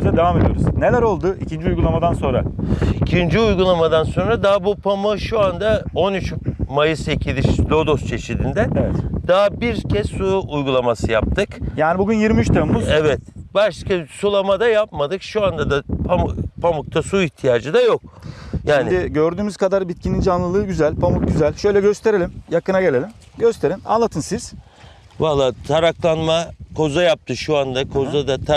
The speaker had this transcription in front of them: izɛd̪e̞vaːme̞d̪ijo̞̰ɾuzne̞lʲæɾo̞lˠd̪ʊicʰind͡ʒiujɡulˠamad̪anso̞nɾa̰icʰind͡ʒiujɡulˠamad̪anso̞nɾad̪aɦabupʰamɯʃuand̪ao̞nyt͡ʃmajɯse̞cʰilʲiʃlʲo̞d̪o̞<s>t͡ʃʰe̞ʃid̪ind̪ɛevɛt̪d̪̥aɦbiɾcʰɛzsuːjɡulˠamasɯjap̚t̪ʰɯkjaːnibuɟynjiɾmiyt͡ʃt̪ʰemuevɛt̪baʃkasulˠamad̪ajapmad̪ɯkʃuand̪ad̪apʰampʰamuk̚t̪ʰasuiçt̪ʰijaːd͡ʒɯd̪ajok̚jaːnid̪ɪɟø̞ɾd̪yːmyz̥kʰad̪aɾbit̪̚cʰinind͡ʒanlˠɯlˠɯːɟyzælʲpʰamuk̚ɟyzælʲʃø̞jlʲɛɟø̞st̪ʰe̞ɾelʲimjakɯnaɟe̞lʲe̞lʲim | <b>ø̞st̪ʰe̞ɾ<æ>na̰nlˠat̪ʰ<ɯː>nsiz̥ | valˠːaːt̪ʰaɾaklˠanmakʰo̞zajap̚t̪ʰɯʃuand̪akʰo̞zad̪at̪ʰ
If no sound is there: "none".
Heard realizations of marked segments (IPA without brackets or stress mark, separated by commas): s, ɟ, i, ɯ